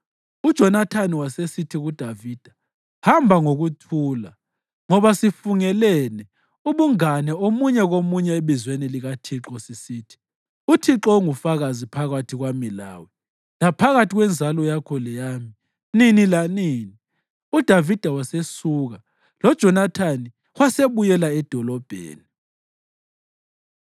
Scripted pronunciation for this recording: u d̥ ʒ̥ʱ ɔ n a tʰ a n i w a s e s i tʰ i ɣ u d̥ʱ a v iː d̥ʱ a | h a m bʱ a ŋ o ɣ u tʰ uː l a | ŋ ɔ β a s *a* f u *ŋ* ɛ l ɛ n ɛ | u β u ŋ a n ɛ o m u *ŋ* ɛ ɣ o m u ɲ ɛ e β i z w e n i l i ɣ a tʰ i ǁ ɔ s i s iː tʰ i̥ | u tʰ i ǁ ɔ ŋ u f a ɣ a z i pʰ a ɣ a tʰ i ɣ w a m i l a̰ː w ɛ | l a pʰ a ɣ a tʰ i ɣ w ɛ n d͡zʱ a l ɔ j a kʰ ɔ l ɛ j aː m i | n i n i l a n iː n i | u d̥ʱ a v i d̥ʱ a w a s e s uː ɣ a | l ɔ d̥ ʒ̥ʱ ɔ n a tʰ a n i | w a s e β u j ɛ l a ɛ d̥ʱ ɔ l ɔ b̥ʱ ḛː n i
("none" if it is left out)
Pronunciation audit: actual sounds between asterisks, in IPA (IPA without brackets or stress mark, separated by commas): i, ŋ, ɲ